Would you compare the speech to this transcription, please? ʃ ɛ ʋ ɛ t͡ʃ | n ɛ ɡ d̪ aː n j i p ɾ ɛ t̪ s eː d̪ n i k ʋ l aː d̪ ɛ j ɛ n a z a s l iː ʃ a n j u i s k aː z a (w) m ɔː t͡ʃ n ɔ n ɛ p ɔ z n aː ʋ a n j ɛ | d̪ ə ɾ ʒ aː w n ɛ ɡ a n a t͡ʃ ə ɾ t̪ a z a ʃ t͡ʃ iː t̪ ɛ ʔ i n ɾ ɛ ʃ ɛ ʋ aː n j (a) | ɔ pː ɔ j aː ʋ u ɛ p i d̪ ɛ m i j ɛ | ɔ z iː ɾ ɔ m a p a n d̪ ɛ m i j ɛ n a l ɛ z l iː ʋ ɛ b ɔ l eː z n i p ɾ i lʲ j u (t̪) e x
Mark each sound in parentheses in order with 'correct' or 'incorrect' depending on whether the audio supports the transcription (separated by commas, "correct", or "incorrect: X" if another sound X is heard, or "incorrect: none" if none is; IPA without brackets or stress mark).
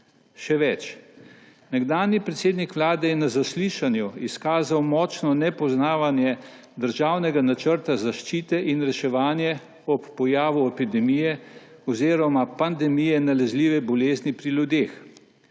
correct, incorrect: ɛ, incorrect: d̪